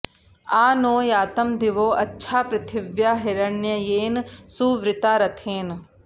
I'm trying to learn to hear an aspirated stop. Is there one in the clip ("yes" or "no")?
yes